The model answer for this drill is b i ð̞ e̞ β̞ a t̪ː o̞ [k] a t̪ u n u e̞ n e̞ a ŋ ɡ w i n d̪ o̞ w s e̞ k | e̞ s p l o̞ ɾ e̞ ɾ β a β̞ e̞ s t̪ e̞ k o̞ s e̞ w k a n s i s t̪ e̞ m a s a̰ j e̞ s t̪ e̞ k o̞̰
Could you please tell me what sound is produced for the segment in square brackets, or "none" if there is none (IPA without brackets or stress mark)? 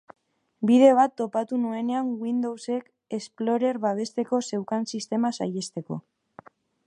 p